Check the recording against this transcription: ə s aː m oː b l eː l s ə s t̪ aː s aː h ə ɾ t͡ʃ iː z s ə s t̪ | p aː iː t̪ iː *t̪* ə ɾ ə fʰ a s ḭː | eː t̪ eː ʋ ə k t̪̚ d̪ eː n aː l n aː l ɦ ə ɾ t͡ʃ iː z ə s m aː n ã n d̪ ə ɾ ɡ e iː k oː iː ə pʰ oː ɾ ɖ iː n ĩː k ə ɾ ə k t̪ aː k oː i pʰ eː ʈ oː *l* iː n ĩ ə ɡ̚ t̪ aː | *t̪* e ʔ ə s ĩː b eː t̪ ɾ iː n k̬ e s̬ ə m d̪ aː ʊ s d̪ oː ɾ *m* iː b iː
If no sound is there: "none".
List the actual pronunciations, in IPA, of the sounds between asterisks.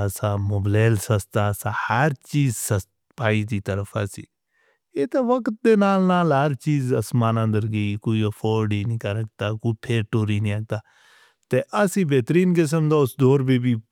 t̪, ɾ, t̪, b

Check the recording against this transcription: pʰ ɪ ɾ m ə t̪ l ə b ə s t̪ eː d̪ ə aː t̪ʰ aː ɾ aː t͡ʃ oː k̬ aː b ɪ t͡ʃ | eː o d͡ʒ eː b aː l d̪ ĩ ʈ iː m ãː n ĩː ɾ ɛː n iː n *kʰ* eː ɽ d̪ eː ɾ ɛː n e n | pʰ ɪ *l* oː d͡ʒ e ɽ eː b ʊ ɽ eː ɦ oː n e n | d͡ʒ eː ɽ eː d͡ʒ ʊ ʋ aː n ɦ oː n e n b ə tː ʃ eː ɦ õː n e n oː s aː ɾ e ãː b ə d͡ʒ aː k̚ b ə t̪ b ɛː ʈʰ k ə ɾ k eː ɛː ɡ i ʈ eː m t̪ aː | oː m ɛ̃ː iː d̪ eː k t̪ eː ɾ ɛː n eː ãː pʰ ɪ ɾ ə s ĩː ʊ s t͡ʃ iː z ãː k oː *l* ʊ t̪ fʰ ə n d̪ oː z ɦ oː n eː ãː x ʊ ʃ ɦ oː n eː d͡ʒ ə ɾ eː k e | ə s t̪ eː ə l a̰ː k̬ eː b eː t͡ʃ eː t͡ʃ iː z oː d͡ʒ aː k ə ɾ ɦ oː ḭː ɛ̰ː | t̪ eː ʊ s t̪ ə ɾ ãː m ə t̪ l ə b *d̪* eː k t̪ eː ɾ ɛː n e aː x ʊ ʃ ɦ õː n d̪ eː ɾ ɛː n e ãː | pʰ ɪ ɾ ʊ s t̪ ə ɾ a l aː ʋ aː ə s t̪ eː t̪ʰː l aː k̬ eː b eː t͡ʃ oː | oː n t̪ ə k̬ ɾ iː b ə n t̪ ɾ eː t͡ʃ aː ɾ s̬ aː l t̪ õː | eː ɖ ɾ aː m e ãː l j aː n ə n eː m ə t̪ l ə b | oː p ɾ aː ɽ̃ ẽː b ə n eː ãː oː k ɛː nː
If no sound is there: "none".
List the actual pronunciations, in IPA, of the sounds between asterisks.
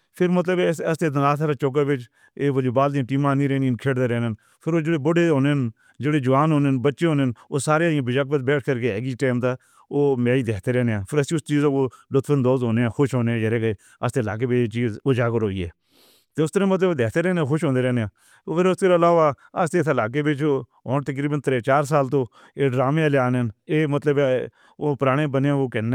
kʰ, ɾ, l, d̪

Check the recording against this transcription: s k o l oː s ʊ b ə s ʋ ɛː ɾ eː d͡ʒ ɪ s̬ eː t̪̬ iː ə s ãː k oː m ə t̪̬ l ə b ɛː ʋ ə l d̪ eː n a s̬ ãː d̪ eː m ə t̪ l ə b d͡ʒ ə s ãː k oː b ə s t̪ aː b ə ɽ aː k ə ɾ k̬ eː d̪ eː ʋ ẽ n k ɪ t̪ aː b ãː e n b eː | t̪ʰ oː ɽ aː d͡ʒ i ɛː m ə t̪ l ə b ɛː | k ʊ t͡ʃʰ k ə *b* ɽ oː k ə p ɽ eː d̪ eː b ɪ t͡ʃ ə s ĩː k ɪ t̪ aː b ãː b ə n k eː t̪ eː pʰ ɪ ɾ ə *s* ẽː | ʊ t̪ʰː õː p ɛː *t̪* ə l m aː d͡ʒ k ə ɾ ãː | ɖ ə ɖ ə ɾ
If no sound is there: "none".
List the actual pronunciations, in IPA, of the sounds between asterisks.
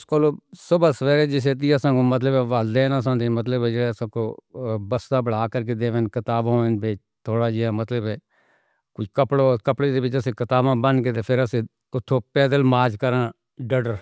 p, s, d̪

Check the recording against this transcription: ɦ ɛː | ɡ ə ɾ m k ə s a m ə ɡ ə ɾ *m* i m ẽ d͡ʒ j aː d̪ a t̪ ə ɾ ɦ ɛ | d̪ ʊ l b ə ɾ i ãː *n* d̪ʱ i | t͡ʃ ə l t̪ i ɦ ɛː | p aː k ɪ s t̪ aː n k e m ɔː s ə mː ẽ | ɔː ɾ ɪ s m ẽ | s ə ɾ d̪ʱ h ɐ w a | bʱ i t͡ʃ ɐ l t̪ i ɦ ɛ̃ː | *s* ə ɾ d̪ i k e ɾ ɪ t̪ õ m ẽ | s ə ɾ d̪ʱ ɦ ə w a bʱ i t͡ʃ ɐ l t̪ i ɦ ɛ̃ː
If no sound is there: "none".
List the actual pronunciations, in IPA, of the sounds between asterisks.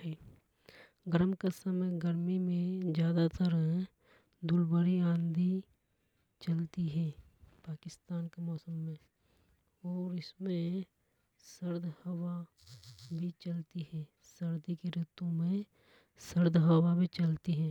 m, n, s

